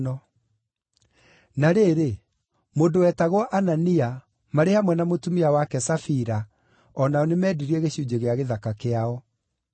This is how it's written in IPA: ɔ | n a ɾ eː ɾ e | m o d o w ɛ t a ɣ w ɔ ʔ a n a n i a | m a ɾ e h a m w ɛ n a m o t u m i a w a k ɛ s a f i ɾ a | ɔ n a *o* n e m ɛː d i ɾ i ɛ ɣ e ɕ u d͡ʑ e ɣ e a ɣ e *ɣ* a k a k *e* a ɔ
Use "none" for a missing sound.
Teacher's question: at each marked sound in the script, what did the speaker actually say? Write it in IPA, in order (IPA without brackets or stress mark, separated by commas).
ɔ, ð, e